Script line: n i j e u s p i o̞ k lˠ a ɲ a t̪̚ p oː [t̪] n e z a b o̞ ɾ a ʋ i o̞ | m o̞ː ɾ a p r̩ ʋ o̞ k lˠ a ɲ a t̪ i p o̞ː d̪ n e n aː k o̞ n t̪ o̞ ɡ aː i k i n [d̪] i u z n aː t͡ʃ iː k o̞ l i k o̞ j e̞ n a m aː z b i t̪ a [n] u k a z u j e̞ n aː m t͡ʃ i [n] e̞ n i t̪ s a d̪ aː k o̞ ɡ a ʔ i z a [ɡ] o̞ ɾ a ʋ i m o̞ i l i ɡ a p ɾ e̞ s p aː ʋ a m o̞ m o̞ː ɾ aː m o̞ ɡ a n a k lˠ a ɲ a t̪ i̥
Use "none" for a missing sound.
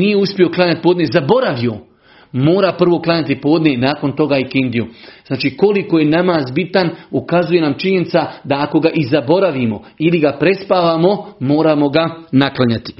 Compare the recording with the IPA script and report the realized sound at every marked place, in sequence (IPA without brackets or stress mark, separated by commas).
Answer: d̪, d̪, n, ɲ, b